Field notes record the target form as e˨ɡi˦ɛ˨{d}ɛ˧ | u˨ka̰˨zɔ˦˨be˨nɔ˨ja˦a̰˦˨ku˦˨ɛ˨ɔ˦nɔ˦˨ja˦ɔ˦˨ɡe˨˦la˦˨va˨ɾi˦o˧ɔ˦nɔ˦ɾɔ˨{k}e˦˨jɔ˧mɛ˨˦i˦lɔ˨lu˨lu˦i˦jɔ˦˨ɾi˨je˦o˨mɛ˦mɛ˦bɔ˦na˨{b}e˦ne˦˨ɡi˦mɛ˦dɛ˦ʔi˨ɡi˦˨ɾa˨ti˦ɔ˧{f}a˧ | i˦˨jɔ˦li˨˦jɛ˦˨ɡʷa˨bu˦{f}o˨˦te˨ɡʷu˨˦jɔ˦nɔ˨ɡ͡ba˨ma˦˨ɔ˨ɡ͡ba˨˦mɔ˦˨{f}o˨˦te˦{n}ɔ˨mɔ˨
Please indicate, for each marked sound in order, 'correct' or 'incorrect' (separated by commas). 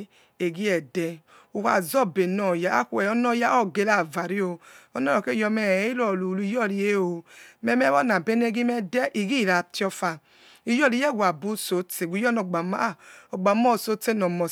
correct, correct, correct, correct, incorrect, incorrect, correct